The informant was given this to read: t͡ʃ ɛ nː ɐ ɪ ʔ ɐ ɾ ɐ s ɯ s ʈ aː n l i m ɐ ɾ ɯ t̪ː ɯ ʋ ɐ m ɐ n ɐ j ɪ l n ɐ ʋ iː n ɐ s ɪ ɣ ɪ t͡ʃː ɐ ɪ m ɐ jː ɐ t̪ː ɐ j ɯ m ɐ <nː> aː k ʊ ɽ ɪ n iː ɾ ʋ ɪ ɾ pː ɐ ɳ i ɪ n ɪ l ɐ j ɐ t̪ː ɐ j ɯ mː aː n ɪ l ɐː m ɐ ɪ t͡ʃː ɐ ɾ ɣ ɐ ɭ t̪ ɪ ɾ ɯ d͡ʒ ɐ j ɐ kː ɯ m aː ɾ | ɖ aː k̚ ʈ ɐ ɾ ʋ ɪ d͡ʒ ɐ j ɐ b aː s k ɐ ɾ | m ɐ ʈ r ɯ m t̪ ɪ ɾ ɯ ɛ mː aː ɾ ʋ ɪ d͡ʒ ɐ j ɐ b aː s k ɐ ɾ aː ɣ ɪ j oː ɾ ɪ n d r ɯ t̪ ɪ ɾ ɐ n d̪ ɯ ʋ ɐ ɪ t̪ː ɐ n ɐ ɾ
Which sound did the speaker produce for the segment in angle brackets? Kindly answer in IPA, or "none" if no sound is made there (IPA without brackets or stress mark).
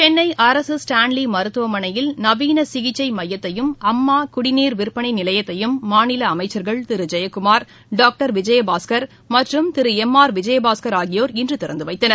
mː